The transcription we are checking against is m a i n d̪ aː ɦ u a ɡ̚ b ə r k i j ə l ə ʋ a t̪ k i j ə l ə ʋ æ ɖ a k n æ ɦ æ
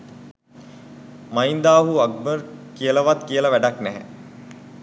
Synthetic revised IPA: m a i n d̪ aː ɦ u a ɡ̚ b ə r k i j ə l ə ʋ a t̪ k i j ə l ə ʋ æ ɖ a k n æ ɦ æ